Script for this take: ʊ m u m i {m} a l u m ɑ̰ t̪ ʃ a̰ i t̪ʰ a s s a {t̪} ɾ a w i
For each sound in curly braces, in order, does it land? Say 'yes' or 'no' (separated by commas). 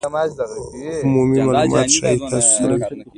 yes, no